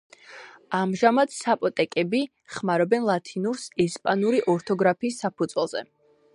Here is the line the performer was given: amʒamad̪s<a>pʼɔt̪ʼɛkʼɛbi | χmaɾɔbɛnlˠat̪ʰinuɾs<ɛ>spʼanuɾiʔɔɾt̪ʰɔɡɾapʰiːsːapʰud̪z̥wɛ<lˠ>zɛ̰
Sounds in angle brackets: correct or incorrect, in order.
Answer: correct, correct, correct

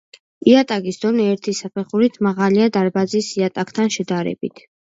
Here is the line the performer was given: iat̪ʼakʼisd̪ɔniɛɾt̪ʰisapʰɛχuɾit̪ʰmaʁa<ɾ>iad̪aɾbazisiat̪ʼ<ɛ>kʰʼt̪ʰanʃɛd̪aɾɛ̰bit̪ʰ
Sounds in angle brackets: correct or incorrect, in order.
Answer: incorrect: l, incorrect: a

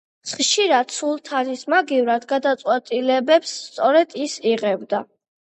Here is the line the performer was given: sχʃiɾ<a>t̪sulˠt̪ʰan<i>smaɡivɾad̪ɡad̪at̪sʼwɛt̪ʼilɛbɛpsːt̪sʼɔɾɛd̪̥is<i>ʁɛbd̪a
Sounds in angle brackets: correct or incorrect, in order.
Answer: correct, correct, correct

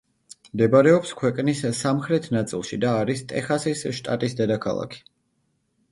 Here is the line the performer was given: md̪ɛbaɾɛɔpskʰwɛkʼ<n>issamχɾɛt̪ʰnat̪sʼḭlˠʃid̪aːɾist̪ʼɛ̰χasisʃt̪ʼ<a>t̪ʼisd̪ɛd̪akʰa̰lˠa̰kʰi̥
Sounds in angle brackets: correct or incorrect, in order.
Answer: correct, correct

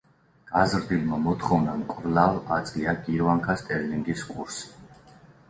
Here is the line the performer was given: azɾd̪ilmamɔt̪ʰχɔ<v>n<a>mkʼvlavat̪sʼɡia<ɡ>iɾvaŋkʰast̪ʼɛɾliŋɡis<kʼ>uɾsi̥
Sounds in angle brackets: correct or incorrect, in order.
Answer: correct, correct, correct, correct

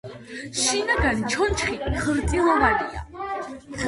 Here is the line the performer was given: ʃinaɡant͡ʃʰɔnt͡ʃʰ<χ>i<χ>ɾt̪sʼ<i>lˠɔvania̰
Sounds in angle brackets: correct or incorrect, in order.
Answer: correct, correct, correct

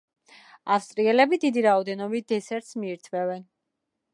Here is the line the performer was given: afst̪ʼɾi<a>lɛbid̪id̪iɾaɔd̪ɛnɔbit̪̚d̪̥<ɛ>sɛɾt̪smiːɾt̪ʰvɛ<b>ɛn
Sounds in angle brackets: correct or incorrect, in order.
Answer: incorrect: ɛ, correct, incorrect: v

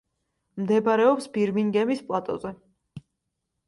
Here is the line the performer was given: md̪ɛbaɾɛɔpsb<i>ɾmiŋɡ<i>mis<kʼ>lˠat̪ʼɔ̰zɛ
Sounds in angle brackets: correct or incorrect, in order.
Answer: correct, incorrect: ɛ, incorrect: pʼ

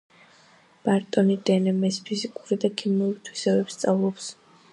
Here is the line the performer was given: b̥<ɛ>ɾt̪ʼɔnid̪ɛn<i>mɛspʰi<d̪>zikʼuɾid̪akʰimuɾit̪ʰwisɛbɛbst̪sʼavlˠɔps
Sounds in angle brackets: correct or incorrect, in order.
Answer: incorrect: a, incorrect: ɛ, incorrect: none

